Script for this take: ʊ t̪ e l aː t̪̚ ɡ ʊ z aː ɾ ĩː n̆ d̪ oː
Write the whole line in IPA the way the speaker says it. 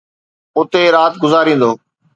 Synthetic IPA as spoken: ʊ t̪ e ɾ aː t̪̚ ɡ ʊ z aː ɾ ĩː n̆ d̪ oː